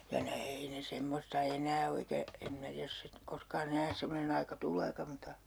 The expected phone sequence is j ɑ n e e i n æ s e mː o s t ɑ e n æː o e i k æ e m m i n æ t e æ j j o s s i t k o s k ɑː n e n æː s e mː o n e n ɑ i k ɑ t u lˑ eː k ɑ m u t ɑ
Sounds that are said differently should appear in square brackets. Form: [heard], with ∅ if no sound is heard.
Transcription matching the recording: j ɑ n e e i n [e] s e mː o s t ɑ e n æː o e i k æ e m m i n æ t [i] æ j j o s s i t k o s k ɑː n e n æː s e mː o n e n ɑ i k ɑ t u lˑ eː k ɑ m u t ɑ